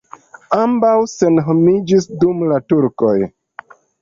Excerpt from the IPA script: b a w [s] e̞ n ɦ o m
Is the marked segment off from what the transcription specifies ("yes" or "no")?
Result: no